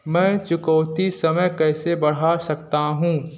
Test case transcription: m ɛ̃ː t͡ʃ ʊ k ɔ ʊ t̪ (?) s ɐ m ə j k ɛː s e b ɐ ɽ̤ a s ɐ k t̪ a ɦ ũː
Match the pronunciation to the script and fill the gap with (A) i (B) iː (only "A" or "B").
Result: A